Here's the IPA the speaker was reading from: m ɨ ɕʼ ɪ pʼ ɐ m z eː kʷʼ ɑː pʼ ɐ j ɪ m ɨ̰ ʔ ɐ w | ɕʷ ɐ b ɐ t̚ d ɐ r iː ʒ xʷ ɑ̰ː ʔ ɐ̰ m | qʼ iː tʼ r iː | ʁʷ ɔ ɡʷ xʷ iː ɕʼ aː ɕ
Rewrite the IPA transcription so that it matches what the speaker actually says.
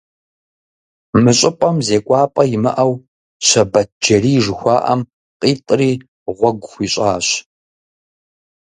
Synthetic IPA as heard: m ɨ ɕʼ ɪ pʼ ɐ m z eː kʷʼ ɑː pʼ ɐ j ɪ m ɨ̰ ʔ ɐ w | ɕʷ ɐ b ɐ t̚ d͡ʒ ɐ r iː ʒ xʷ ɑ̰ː ʔ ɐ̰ m | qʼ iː tʼ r iː | ʁʷ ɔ ɡʷ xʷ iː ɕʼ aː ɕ